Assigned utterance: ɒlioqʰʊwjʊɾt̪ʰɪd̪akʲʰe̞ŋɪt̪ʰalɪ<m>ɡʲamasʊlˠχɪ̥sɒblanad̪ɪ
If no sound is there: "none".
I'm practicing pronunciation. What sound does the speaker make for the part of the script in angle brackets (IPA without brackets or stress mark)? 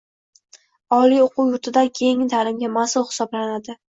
m